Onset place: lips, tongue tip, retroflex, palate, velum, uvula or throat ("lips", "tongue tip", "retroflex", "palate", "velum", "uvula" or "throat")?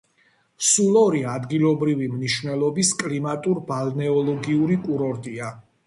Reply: tongue tip